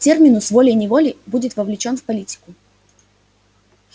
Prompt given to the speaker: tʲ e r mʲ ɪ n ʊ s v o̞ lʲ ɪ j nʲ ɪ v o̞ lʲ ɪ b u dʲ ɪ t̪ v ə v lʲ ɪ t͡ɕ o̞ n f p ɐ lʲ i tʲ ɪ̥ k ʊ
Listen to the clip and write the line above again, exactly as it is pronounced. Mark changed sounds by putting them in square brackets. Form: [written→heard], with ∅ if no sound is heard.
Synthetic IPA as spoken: tʲ e r mʲ ɪ n ʊ s v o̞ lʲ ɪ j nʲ ɪ v o̞ lʲ ɪ b u dʲ ɪ t̪ v ə v lʲ ɪ t͡ɕ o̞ n f p ɐ lʲ i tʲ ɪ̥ k ʊ